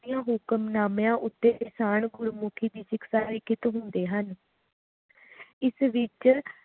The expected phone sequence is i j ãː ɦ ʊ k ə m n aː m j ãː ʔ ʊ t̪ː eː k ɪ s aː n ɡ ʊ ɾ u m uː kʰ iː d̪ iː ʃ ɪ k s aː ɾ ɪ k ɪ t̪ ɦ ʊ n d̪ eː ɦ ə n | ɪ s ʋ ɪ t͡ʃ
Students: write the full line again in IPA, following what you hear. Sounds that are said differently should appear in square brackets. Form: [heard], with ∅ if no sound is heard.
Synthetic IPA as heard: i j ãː ɦ ʊ k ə m n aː m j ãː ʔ ʊ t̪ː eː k ɪ s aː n ɡ ʊ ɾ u m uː kʰ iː d̪ iː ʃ ɪ k s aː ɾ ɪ k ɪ t̪ ɦ ʊ n d̪ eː ɦ ə n | ɪ s ʋ ɪ t͡ʃ